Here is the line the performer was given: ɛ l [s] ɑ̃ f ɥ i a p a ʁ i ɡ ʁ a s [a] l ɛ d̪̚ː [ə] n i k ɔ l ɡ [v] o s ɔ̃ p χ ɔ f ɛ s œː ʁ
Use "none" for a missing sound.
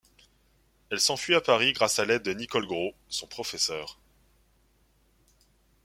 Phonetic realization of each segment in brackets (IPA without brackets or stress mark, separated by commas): s, a, ə, ʁ